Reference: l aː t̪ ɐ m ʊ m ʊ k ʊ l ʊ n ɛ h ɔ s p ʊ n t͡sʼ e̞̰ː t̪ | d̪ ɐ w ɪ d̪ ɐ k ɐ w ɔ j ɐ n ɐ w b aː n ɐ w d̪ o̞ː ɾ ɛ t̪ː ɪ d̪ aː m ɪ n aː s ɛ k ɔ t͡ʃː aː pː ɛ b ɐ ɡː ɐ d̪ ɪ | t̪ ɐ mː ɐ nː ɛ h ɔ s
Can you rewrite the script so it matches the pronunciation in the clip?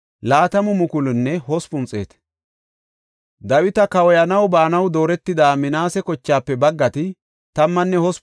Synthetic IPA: l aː t̪ ɐ m ʊ m ʊ k ʊ l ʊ nː ɛ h ɔ s p ʊ n t͡sʼ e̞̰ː t̪ | d̪ ɐ w ɪ t̪ ɐ k ɐ w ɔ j ɐ n ɐ w b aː n ɐ w d̪ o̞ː ɾ ɛ t̪ː ɪ d̪ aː m ɪ n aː s ɛ k ɔ t͡ʃː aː pː ɛ b ɐ ɡː ɐ t̪ ɪ | t̪ ɐ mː ɐ nː ɛ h ɔ s